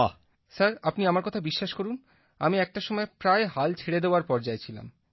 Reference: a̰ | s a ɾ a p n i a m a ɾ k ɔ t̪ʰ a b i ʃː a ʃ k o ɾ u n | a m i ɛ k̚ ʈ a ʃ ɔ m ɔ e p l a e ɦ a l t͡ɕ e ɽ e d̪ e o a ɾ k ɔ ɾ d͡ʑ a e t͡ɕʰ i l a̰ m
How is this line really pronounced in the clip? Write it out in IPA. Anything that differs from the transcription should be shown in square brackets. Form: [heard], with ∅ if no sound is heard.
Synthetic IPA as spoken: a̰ | s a ɾ a p n i a m a ɾ k ɔ t̪ʰ a b i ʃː a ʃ k o ɾ u n | a m i ɛ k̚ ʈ a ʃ ɔ m ɔ e p [ɾ] a e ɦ a l [t͡ɕʰ] e ɽ e d̪ e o a ɾ [p] ɔ ɾ d͡ʑ a e t͡ɕʰ i l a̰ m

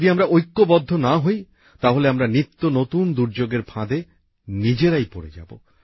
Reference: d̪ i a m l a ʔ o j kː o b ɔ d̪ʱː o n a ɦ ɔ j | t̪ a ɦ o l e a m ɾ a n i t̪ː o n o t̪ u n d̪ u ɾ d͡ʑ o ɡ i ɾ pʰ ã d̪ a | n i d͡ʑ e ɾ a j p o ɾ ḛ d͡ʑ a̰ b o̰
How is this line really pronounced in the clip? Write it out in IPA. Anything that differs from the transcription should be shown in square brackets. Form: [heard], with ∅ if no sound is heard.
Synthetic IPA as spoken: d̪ i a m [ɾ] a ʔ o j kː o b ɔ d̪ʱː o n a ɦ [o] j | t̪ a ɦ o l e a m ɾ a n i t̪ː o n o t̪ u n d̪ u ɾ d͡ʑ o ɡ [e] ɾ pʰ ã d̪ [e] | n i d͡ʑ e ɾ a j p o ɾ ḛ d͡ʑ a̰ b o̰

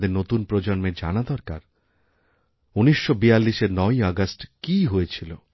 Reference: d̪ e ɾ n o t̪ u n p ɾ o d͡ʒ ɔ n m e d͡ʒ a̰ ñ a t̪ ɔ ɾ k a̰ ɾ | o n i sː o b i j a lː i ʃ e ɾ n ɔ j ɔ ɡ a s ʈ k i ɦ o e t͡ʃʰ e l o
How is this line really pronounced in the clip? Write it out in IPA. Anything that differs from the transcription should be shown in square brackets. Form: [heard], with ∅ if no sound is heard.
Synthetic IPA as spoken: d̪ e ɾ n o t̪ u n p ɾ o d͡ʒ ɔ n m e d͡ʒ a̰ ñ a [d̪] ɔ ɾ k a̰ ɾ | [u] n i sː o b i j a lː i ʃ e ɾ n ɔ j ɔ ɡ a s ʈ k i ɦ o e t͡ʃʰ [i] l o

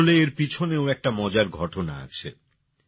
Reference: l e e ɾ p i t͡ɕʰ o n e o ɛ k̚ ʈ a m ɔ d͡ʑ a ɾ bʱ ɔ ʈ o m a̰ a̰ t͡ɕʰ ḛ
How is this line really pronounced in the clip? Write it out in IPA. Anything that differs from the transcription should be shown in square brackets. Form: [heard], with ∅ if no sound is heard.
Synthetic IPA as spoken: l e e ɾ p i t͡ɕʰ o n e o ɛ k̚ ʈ a m ɔ d͡ʑ a ɾ [ɡʱ] ɔ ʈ o [n] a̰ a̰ t͡ɕʰ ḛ

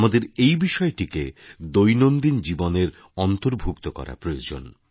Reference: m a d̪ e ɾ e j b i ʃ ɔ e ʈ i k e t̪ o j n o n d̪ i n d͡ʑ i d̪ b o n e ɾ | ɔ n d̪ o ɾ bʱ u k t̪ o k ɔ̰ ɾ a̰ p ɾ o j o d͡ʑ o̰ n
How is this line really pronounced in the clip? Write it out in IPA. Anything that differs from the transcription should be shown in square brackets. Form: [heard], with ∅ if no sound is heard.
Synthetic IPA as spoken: m a d̪ e ɾ e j b i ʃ ɔ e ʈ i k e [d̪] o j n o n d̪ i n d͡ʑ i [∅] b o n e ɾ | ɔ n [t̪] o ɾ bʱ u k t̪ o k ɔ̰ ɾ a̰ p ɾ o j o d͡ʑ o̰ n

